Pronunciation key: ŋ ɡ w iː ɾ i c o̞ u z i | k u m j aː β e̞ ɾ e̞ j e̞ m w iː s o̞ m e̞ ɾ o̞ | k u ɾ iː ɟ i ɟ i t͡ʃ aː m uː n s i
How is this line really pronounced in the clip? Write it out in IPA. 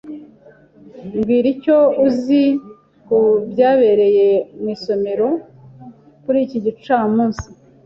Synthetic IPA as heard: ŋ ɡ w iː ɾ i c o̞ u z i | k u b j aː β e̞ ɾ e̞ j e̞ m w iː s o̞ m e̞ ɾ o̞ | k u ɾ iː c i ɟ i t͡ʃ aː m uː n s i